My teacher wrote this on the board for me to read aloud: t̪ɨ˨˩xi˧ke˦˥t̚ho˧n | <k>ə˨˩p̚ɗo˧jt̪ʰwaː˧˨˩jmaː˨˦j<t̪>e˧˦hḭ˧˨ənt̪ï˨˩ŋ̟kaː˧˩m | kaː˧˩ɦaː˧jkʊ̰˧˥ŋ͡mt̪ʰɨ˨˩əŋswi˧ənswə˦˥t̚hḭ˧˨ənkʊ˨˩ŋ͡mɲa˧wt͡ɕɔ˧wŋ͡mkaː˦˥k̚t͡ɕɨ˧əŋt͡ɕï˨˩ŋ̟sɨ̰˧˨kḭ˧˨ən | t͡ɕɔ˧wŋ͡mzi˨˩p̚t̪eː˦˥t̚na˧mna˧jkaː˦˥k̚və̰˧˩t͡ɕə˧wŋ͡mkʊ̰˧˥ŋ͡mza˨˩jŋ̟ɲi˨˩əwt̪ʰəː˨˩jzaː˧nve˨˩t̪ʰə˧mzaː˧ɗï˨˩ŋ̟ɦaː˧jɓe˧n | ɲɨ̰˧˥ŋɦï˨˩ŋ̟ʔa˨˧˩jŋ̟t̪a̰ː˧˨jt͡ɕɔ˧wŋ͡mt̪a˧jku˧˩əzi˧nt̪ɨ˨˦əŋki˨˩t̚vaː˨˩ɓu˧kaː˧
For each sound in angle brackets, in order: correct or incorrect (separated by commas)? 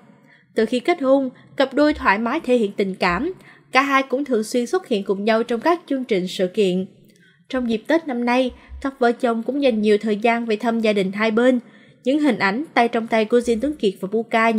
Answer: correct, incorrect